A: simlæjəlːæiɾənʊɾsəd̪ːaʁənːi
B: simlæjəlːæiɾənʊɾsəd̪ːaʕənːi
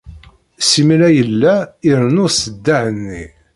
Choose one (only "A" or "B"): B